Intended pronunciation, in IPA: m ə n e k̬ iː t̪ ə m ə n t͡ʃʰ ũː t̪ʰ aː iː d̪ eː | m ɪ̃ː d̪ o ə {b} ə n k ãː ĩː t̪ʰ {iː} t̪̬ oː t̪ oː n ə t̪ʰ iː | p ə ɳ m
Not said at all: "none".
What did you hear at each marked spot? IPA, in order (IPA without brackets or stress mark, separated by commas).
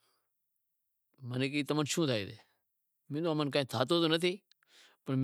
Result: m, aː